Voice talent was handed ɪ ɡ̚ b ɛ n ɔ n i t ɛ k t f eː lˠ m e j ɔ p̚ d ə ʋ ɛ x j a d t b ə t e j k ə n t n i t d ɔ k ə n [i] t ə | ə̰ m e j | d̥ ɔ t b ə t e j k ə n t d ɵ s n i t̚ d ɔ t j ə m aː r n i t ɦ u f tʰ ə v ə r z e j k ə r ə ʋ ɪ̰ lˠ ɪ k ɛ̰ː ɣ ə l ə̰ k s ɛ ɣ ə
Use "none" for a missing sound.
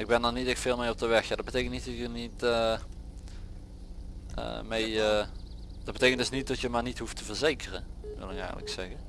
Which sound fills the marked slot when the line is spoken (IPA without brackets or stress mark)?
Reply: i